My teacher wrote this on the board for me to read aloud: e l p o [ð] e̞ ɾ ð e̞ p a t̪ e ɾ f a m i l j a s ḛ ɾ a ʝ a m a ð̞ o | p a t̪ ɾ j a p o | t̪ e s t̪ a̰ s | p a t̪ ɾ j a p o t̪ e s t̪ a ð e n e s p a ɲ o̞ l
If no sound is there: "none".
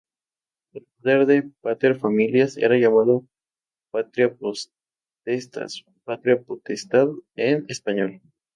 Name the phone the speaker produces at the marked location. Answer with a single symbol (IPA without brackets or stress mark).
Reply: ð